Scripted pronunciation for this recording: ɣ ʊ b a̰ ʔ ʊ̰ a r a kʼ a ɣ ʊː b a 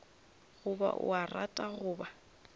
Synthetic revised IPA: ɣ ʊ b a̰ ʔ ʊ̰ a r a tʼ a ɣ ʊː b a